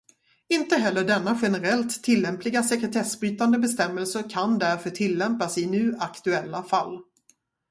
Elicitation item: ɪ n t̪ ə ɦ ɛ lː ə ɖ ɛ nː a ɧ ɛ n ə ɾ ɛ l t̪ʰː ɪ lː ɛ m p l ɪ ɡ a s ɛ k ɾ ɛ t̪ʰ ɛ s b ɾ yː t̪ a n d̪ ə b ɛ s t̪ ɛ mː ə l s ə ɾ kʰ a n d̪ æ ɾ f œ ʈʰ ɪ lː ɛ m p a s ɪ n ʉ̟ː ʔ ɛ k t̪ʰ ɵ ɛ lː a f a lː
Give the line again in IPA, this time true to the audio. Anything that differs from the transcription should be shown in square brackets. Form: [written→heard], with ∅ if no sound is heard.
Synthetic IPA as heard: ɪ n t̪ ə ɦ ɛ lː ə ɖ ɛ nː a ɧ ɛ n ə ɾ ɛ l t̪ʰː ɪ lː ɛ m p l ɪ ɡ a s ɛ k ɾ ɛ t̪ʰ ɛ s b ɾ yː t̪ a n d̪ ə b ɛ s t̪ ɛ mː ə l s ə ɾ kʰ a n d̪ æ ɾ f œ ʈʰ ɪ lː ɛ m p a s ɪ n ʉ̟ː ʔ [ɛ→a] k [t̪ʰ→t̪] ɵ ɛ lː a f a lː

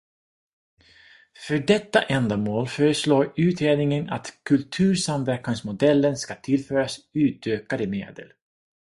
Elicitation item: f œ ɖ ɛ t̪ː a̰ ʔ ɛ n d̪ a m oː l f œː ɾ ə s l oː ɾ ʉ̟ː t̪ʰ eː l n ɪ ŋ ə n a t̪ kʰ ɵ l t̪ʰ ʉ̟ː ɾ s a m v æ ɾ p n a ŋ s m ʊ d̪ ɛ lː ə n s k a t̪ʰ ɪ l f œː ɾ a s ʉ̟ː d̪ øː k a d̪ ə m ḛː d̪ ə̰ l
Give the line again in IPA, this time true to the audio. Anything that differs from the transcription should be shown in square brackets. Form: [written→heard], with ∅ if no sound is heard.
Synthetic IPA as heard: f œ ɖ ɛ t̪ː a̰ ʔ ɛ n d̪ a m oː l f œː ɾ ə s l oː ɾ ʉ̟ː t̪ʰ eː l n ɪ ŋ ə n a t̪ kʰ ɵ l t̪ʰ ʉ̟ː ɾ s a m v æ ɾ [p→k] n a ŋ s m ʊ d̪ ɛ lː ə n s k a t̪ʰ ɪ l f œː ɾ a s ʉ̟ː [d̪→t̪] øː k a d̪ ə m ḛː d̪ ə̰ l

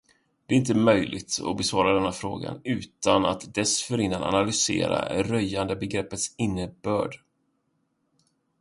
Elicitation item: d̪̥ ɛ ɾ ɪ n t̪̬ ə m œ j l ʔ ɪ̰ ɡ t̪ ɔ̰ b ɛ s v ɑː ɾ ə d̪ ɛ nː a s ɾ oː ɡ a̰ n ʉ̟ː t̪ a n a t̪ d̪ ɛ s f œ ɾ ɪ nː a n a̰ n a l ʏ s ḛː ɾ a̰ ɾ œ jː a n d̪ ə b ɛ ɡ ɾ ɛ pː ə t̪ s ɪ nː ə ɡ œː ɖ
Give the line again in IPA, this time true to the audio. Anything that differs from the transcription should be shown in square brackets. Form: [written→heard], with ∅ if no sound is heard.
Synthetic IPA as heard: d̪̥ ɛ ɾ ɪ n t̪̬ ə m œ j l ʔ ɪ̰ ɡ t̪ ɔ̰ b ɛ s v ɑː ɾ [ə→a] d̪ ɛ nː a [s→f] ɾ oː ɡ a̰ n ʉ̟ː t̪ a n a t̪ d̪ ɛ s f œ ɾ ɪ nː a n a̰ n a l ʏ s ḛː ɾ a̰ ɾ œ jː a n d̪ ə b ɛ ɡ ɾ ɛ pː ə t̪ s ɪ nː ə [ɡ→b] œː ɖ

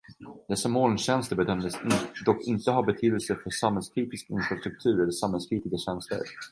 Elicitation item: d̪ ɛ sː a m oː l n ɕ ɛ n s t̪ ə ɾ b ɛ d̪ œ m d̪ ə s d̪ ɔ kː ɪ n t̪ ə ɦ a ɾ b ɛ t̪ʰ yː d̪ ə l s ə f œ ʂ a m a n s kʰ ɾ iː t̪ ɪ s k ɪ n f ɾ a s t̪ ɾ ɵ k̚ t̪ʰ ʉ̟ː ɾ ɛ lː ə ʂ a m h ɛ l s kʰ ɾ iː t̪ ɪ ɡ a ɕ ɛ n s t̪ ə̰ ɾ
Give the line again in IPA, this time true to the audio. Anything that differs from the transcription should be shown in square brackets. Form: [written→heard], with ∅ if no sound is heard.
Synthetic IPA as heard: d̪ ɛ sː a m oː l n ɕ ɛ n s t̪ ə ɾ b ɛ d̪ œ m d̪ ə s d̪ ɔ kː ɪ n t̪ ə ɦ a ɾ b ɛ t̪ʰ yː d̪ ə l s ə f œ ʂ a m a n s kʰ ɾ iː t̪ ɪ s k ɪ n f ɾ a s t̪ ɾ ɵ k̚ t̪ʰ ʉ̟ː ɾ ɛ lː ə ʂ a m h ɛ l s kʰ ɾ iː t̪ ɪ ɡ a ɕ ɛ n s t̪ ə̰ ɾ

